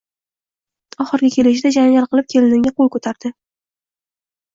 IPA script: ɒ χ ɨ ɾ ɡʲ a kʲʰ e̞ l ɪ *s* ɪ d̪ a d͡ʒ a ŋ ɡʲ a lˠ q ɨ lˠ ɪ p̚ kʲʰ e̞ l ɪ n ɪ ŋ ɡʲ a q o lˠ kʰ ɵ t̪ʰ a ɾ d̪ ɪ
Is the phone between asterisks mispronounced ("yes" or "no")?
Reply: yes